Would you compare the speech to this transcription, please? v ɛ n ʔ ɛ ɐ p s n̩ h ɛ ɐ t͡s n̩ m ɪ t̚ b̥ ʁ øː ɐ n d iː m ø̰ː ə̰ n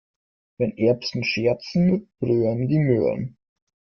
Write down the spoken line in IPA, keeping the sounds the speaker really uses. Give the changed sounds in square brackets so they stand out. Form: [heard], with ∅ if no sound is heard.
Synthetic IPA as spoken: v ɛ n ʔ ɛ ɐ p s n̩ [ʃ] ɛ ɐ t͡s n̩ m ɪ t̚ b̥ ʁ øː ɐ n d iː m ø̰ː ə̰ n